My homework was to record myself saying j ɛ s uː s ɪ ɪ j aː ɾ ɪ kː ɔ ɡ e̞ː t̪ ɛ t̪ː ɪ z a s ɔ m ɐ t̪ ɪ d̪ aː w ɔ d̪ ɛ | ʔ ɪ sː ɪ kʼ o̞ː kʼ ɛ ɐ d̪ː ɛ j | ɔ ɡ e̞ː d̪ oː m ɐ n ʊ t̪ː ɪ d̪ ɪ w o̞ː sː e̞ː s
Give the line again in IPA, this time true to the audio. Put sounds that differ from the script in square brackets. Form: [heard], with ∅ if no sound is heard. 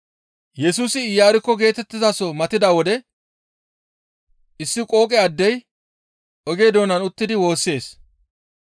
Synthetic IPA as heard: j ɛ s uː s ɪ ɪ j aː ɾ ɪ kː ɔ ɡ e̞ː t̪ ɛ t̪ː ɪ z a s ɔ m ɐ t̪ ɪ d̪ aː w ɔ d̪ ɛ | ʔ ɪ sː ɪ kʼ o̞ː kʼ ɛ ɐ d̪ː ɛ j | ɔ ɡ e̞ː d̪ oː [n] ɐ n ʊ t̪ː ɪ d̪ ɪ w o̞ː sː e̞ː s